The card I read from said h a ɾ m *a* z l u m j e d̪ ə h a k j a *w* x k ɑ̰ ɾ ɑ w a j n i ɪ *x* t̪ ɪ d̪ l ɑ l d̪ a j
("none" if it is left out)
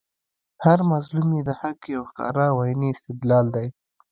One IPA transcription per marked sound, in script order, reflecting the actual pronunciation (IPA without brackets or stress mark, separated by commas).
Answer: a, w, s